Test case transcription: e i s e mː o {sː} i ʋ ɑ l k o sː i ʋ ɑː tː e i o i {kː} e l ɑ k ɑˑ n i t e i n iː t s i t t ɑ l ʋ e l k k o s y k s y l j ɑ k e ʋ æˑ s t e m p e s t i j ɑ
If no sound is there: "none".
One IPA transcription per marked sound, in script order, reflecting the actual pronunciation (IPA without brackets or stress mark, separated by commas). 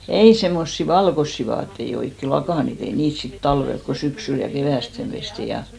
sː, kː